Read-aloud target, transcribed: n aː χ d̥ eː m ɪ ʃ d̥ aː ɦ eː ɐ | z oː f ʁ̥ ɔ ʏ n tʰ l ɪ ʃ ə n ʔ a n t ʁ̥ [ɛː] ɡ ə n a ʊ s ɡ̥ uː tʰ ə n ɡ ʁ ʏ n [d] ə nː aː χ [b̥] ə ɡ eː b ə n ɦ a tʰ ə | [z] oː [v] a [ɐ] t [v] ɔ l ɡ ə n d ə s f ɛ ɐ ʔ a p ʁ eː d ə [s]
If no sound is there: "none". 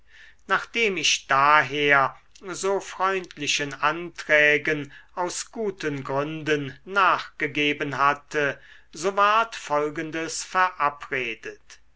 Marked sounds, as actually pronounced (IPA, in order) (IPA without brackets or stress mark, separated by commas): ɛː, d, ɡ̥, z, v, ɐ, f, t